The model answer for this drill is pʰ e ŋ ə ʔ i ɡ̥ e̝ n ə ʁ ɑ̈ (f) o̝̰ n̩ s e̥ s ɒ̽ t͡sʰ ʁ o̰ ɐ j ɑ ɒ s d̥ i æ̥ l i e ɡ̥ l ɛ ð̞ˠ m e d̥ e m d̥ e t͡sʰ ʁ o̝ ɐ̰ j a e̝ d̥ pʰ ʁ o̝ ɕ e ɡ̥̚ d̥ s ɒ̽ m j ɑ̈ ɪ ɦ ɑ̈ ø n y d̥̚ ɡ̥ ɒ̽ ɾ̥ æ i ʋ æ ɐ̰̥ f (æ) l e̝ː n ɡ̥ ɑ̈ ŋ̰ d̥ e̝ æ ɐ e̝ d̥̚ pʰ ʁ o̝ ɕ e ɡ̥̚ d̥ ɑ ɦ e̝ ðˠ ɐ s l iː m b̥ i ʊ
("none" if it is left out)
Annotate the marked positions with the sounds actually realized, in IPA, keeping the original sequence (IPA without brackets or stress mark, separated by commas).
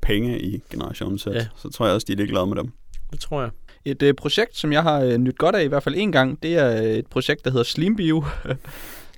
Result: ɕ, æ